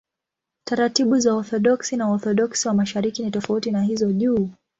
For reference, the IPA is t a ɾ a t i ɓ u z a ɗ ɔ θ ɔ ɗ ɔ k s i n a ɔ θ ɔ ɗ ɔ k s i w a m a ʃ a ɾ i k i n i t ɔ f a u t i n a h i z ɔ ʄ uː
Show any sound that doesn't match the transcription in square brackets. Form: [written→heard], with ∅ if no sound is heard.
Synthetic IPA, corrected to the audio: t a ɾ a t i ɓ u z a [ɗ→∅] ɔ θ ɔ ɗ ɔ k s i n a ɔ θ ɔ ɗ ɔ k s i w a m a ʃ a ɾ i k i n i t ɔ f a u t i n a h i z ɔ ʄ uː